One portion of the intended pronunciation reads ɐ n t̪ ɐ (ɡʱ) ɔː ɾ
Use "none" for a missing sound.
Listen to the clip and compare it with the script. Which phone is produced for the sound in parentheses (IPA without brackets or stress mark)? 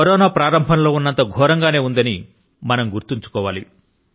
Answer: ɡʱ